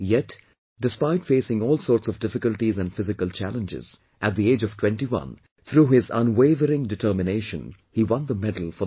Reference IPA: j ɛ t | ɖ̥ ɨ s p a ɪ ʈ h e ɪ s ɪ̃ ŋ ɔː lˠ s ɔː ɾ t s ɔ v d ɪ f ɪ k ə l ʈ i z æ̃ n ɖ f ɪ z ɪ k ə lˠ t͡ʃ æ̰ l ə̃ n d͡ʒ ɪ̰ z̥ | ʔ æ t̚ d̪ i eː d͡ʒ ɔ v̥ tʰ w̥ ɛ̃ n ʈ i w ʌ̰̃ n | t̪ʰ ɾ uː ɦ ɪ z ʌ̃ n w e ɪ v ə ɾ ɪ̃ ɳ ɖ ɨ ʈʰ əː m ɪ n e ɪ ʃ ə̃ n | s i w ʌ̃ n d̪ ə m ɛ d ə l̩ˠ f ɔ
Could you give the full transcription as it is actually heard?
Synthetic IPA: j ɛ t | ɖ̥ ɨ s p a ɪ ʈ f e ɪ s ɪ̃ ŋ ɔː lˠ s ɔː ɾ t s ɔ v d ɪ f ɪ k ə l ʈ i z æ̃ n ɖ f ɪ z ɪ k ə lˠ t͡ʃ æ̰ l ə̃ n d͡ʒ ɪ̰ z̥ | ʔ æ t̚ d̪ i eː d͡ʒ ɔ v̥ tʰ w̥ ɛ̃ n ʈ i w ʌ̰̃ n | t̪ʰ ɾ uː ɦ ɪ z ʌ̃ n w e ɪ v ə ɾ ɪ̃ ŋ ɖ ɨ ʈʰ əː m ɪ n e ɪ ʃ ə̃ n | h i w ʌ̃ n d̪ ə m ɛ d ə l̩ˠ f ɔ

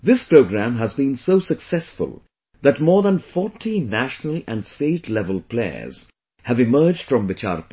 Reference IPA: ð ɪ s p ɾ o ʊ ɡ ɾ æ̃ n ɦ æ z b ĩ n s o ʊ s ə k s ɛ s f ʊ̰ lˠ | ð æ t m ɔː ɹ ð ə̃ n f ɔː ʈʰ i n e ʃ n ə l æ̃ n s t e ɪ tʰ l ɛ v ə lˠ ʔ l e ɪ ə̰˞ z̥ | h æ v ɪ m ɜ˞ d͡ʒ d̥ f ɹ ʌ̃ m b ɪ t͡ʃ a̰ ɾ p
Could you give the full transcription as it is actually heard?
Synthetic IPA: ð ɪ s p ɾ o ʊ ɡ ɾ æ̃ m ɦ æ z b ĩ n s o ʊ s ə k s ɛ s f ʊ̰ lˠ | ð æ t m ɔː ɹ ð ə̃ n f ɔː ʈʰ i n æ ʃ n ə l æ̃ n s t e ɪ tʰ l ɛ v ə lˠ p l e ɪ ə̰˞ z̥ | h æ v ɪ m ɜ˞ d͡ʒ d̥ f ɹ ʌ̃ m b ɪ t͡ʃ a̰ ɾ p

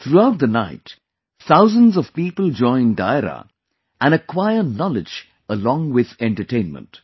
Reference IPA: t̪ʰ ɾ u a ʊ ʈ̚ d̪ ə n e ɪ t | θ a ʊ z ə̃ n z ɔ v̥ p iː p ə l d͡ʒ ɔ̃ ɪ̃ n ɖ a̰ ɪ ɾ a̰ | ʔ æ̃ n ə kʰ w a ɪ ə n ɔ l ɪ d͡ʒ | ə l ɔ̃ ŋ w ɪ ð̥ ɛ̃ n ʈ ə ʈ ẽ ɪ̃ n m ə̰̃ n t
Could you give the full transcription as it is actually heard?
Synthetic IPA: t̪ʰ ɾ u a ʊ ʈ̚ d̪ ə n a ɪ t | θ a ʊ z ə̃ n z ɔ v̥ p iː p ə l d͡ʒ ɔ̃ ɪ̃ n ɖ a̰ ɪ ɾ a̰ | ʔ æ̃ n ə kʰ w a ɪ ə n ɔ l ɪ d͡ʒ | ə l ɔ̃ ŋ w ɪ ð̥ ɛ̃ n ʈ ə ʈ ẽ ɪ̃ n m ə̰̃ n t

